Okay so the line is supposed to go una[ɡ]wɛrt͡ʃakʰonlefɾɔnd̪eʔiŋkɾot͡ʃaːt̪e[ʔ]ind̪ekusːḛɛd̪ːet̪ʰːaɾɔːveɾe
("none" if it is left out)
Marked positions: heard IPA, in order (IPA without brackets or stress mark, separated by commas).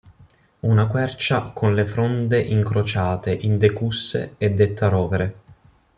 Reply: k, ʔ